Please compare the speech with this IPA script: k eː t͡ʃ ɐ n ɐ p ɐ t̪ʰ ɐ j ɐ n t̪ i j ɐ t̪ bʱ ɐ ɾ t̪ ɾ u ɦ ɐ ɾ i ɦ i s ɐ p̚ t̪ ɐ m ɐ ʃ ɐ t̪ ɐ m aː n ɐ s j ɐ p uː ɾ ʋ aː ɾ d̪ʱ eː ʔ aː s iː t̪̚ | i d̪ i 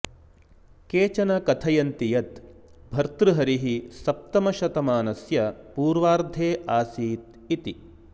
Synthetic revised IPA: k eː t͡ʃ ɐ n ɐ k ɐ t̪ʰ ɐ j ɐ n t̪ i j ɐ t̪ bʱ ɐ ɾ t̪ ɾ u ɦ ɐ ɾ i ɦ i s ɐ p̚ t̪ ɐ m ɐ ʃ ɐ t̪ ɐ m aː n ɐ s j ɐ p uː ɾ ʋ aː ɾ d̪ʱ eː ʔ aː s iː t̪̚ | i t̪ i